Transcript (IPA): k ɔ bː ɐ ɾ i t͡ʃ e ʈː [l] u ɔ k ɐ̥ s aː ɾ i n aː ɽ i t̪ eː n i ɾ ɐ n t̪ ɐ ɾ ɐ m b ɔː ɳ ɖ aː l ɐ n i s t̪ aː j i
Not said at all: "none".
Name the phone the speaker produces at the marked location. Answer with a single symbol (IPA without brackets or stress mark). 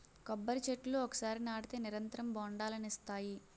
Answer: l